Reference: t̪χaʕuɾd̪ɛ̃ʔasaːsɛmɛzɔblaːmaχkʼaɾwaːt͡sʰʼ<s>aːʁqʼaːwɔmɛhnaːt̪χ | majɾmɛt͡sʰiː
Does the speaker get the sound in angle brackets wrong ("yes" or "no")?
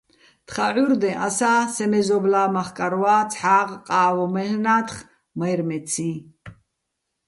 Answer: yes